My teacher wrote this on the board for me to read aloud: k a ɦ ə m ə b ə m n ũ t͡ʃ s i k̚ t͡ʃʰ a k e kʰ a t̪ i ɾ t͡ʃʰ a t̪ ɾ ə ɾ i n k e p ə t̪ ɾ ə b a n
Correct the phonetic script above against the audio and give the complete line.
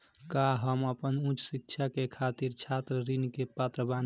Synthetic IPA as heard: k a ɦ ə m ə p ə n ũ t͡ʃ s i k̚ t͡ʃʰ a k e kʰ a t̪ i ɾ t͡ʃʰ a t̪ ɾ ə ɾ i n k e p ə t̪ ɾ ə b a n